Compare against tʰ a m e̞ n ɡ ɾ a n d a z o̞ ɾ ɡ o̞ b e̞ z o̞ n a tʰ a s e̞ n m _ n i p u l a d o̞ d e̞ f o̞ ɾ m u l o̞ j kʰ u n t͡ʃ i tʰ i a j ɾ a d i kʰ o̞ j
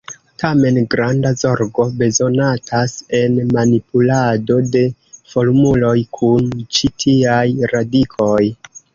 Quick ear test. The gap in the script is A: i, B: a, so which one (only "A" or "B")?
B